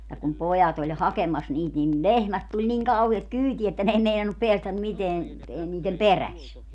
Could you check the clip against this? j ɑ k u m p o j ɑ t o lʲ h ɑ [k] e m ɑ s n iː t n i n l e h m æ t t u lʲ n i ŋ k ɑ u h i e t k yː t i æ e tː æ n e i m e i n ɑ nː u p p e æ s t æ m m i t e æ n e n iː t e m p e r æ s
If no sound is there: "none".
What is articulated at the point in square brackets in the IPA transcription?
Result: k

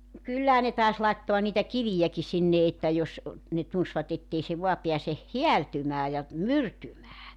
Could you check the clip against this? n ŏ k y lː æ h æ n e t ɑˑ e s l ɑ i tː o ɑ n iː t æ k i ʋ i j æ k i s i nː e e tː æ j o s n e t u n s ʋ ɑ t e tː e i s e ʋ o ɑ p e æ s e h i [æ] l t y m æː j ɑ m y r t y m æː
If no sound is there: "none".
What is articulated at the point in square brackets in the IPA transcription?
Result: æ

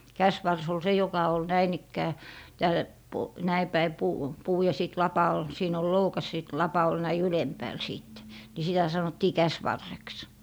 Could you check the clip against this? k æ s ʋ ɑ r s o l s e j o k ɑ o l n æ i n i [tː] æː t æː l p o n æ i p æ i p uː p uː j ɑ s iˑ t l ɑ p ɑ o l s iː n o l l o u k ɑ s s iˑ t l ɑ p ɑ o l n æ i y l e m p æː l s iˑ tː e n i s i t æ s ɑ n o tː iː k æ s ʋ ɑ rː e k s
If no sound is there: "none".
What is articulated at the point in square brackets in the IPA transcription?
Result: kː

